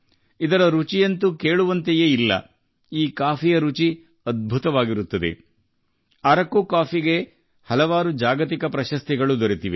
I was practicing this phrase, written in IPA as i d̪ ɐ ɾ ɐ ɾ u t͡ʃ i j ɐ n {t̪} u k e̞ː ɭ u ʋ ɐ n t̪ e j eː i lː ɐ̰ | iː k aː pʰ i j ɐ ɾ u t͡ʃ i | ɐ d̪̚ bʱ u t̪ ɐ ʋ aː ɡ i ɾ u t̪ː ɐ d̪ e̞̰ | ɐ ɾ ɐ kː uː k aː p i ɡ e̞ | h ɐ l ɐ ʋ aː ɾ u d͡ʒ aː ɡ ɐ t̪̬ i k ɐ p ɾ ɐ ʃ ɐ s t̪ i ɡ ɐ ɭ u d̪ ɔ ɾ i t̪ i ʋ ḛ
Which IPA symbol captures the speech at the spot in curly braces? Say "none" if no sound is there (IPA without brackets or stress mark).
t̪